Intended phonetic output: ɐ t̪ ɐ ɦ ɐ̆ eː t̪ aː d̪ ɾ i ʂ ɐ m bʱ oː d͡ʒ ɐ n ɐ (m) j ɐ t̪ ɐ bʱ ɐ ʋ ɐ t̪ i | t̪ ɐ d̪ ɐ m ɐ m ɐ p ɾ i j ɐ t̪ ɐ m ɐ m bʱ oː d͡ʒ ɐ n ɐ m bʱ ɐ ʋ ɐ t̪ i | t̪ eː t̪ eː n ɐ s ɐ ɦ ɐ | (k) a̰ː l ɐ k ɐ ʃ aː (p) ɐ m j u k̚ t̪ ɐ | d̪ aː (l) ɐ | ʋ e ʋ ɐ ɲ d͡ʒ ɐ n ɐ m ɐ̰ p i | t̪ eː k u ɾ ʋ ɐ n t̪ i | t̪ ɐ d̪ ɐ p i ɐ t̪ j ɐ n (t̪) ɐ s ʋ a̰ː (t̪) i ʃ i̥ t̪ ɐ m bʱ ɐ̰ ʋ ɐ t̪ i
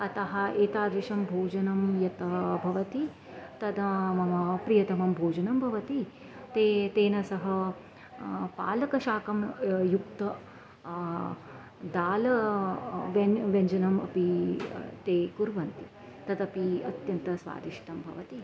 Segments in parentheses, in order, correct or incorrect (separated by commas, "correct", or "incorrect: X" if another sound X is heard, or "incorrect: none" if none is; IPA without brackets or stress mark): correct, incorrect: p, incorrect: k, correct, correct, incorrect: d̪